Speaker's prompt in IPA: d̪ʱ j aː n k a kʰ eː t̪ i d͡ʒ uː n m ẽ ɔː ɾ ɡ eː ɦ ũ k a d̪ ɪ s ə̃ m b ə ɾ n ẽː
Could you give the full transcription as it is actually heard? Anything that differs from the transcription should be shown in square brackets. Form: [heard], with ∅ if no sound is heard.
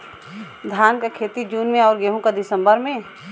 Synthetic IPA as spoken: d̪ʱ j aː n k a kʰ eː t̪ i d͡ʒ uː n m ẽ ɔː ɾ ɡ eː ɦ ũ k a d̪ ɪ s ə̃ m b ə ɾ [m] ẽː